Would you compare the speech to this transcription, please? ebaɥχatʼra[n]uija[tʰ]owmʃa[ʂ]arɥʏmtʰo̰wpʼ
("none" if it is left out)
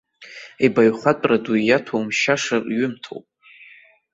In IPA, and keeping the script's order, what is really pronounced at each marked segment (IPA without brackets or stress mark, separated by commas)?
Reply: d, tʰ, ʂ